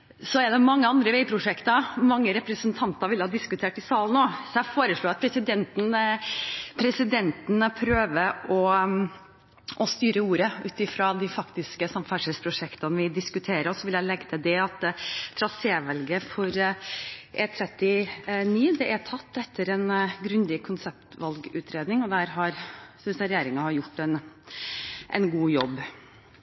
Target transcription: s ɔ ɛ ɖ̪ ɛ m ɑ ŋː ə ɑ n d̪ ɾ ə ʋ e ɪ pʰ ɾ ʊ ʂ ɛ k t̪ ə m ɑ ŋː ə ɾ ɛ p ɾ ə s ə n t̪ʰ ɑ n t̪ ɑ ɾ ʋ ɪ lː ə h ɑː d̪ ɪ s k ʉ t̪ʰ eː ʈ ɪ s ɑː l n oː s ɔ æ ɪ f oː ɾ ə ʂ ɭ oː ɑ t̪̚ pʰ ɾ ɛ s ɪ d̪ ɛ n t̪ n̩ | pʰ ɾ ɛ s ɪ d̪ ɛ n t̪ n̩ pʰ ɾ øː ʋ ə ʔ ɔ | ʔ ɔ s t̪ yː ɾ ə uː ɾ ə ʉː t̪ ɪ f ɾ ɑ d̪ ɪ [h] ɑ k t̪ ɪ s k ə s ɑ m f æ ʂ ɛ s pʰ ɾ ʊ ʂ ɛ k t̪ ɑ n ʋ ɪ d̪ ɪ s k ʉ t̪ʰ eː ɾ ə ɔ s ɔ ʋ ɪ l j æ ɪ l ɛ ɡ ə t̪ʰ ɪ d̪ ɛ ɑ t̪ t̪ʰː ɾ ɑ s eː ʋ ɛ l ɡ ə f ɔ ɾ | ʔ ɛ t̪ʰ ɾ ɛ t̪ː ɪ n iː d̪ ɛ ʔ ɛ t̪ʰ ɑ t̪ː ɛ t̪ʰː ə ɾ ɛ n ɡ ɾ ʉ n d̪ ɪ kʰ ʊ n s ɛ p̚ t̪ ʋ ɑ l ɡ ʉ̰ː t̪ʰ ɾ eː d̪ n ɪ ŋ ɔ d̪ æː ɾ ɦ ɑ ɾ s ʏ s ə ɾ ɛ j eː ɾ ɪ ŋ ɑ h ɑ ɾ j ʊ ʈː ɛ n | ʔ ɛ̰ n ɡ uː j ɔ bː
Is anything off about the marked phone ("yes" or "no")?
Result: yes